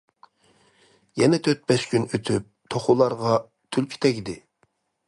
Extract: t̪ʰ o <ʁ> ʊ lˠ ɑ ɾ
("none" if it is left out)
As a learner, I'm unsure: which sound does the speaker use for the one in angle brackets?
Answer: χ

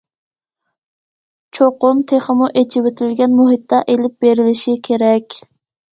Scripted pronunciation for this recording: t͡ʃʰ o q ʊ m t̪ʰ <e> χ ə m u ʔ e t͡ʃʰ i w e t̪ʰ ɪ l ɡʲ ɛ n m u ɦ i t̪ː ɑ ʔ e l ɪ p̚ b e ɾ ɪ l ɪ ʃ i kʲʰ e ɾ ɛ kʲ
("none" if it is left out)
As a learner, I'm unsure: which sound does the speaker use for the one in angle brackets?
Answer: e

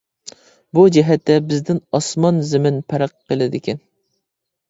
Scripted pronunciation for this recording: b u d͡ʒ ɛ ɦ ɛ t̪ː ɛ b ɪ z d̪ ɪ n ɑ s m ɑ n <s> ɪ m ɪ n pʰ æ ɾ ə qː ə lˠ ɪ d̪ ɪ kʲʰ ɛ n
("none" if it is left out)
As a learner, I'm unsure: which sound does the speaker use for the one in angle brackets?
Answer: z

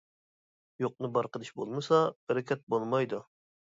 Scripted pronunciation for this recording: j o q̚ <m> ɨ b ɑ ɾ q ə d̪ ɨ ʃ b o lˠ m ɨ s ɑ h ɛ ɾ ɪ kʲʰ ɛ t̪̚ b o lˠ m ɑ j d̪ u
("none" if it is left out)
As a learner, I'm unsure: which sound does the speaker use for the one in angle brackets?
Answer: n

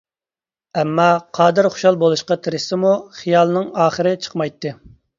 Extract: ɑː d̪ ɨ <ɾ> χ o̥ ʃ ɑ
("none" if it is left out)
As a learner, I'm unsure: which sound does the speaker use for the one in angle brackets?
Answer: ɾ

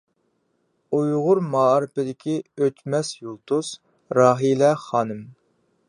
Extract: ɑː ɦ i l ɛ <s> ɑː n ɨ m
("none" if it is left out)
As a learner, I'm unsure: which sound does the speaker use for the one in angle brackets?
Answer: χ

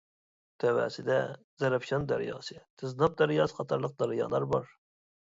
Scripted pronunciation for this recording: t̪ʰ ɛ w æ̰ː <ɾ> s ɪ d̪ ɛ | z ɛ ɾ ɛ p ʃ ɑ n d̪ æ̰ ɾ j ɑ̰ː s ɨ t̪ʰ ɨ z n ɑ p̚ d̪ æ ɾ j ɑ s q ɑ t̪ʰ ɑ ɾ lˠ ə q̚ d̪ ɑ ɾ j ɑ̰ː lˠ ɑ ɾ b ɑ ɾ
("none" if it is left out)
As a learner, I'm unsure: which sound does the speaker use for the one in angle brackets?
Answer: none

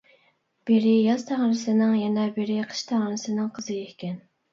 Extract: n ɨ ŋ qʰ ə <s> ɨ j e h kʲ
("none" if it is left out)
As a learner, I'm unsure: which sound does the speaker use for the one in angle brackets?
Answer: z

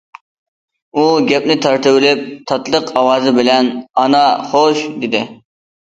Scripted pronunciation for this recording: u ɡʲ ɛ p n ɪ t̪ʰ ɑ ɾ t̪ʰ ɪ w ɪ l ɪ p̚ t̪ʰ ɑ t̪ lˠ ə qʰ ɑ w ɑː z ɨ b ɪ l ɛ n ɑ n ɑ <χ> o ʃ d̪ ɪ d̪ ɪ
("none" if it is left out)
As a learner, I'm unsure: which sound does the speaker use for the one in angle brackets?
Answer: χ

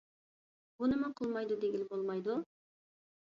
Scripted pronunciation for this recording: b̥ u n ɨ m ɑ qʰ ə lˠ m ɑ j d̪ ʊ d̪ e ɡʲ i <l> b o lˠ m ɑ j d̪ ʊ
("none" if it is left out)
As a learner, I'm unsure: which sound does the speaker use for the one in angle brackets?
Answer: l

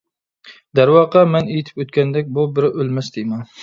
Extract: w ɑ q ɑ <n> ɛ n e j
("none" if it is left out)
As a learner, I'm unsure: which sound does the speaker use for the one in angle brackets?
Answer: m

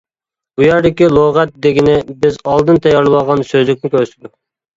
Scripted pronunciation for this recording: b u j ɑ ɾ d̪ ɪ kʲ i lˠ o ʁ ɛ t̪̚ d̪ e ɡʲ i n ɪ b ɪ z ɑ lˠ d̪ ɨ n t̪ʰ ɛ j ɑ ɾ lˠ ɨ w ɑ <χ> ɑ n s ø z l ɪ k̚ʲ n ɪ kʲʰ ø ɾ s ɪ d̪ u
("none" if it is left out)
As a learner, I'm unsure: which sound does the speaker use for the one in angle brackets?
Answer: ʁ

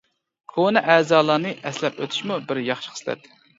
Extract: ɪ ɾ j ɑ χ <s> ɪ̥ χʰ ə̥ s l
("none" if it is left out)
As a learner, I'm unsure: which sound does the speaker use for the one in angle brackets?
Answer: ʃ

